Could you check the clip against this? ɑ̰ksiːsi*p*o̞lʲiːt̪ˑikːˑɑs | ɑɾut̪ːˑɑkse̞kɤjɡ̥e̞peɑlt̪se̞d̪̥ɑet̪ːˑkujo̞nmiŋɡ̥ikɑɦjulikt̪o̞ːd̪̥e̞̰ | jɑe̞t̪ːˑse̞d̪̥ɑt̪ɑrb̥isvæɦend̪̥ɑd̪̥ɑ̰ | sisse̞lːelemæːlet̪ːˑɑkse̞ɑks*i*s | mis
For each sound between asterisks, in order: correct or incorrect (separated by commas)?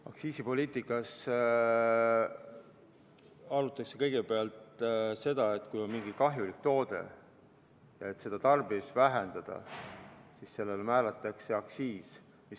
correct, incorrect